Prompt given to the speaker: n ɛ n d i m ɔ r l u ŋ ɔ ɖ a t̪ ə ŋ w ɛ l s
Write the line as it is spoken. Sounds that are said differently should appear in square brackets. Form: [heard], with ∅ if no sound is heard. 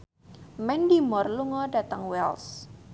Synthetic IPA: [m] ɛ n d i m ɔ r l u ŋ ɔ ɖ a t̪ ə ŋ w ɛ l s